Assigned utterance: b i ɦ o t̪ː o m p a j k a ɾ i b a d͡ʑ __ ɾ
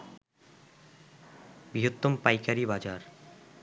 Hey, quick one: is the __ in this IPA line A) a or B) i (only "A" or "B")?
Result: A